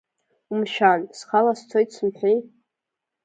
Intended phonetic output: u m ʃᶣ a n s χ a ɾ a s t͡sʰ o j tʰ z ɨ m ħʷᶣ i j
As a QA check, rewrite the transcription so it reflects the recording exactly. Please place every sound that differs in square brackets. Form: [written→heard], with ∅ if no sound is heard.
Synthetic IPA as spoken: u m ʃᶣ a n s χ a [ɾ→l] a s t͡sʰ o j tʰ [z→s] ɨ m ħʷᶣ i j